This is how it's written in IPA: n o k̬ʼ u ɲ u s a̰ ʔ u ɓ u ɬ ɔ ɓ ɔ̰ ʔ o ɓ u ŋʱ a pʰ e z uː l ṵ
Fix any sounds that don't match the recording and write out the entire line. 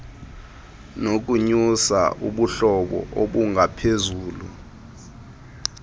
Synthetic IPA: n o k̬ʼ u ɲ u s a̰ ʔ u ɓ u ɬ ɔ ɓ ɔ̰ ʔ o ɓ u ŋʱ a pʰ e z uː l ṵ